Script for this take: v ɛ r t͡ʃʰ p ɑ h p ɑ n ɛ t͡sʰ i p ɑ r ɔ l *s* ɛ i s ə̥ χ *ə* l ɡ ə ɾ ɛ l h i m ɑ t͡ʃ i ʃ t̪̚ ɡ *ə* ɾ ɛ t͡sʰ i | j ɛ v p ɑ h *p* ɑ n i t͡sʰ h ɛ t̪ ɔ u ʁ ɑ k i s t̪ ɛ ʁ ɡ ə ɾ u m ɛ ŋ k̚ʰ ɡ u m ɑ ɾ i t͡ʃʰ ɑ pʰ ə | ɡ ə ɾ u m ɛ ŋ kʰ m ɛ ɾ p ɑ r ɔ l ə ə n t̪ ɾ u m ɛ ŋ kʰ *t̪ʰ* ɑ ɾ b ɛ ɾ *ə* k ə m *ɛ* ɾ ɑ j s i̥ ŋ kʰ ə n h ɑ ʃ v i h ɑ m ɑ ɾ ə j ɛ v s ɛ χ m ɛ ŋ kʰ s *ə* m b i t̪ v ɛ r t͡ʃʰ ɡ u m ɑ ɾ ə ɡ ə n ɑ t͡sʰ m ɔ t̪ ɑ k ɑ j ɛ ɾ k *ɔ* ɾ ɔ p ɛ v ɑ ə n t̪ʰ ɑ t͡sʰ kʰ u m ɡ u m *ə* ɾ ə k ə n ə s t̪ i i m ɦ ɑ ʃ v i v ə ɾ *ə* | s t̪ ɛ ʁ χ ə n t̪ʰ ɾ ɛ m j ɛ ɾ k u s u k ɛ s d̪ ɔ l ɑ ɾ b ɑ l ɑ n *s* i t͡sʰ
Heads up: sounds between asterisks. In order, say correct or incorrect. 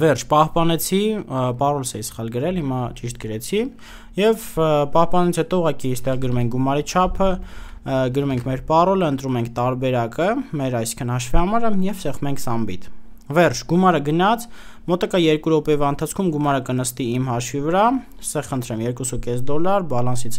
correct, incorrect: ɑ, correct, correct, incorrect: t̪, incorrect: ɑ, correct, incorrect: ɑ, incorrect: u, incorrect: ɑ, incorrect: ɑ, correct

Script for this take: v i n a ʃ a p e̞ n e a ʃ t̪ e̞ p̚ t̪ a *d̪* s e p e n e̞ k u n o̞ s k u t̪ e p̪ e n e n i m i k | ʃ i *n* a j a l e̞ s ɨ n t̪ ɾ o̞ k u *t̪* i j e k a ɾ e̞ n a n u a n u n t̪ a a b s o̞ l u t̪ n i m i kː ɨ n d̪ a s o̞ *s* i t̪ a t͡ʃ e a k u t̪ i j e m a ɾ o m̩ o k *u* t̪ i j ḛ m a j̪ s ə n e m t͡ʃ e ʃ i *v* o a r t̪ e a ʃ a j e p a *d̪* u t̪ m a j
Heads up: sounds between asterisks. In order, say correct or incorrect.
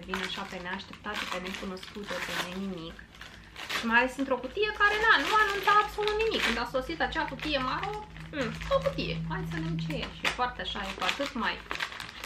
incorrect: t̪, incorrect: m, correct, correct, correct, incorrect: f, incorrect: t̪

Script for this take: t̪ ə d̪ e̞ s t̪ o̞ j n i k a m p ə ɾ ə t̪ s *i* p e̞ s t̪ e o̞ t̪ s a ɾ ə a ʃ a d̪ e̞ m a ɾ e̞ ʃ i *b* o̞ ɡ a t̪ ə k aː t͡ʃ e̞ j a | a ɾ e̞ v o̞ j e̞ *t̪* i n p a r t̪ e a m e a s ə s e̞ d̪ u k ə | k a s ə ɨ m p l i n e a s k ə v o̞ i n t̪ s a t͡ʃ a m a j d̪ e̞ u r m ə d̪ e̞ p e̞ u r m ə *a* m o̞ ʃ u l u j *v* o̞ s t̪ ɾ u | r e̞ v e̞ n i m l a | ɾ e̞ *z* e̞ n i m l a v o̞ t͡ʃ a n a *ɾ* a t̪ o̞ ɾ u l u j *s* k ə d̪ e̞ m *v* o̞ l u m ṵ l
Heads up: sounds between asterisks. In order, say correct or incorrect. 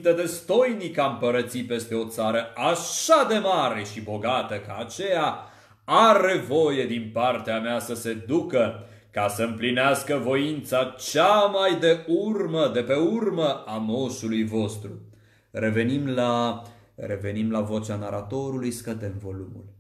correct, correct, incorrect: d̪, correct, correct, incorrect: v, correct, correct, correct

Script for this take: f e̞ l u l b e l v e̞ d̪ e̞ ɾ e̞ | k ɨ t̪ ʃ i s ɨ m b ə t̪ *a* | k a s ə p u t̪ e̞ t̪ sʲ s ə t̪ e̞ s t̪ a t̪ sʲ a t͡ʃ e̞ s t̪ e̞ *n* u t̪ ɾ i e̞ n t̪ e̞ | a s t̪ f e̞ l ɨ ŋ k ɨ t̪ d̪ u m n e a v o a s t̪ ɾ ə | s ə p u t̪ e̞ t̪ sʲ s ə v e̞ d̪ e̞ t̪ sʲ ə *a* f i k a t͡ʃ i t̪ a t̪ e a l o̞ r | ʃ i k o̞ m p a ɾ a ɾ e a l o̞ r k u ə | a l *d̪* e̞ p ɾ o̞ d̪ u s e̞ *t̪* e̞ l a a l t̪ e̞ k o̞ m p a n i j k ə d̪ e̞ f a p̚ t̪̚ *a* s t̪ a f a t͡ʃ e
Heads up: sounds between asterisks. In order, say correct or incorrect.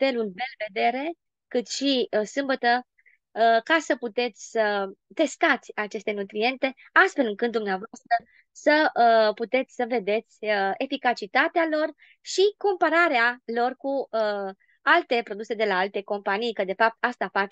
incorrect: ə, correct, incorrect: e, incorrect: t̪, incorrect: d̪, correct

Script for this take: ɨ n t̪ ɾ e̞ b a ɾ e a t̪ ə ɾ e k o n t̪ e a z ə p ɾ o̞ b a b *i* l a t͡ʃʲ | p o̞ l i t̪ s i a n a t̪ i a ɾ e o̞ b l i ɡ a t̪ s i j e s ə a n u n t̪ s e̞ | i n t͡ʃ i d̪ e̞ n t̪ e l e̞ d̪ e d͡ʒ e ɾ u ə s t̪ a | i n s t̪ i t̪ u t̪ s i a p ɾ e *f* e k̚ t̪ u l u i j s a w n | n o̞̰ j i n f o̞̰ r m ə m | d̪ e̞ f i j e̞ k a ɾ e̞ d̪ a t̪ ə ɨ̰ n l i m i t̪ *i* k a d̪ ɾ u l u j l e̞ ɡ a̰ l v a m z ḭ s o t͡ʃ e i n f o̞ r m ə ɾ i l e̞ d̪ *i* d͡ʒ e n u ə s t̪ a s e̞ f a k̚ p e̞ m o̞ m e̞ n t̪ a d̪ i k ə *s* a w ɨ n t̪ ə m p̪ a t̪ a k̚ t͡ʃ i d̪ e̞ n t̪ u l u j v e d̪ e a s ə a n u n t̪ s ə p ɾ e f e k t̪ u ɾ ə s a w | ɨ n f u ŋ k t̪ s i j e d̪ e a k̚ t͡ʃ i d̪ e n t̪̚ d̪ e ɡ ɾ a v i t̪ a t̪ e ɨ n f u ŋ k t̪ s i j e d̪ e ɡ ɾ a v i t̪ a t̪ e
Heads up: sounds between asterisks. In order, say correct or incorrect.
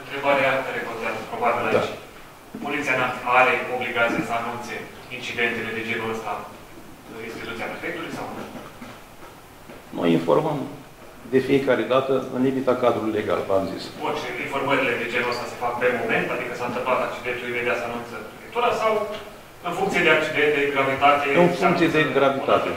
correct, correct, incorrect: a, incorrect: e, correct

